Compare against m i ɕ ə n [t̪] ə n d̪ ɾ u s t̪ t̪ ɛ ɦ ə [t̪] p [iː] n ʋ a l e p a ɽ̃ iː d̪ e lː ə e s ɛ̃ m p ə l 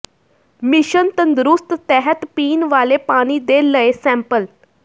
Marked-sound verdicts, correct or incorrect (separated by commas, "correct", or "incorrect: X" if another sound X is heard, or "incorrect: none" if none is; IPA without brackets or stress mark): correct, correct, correct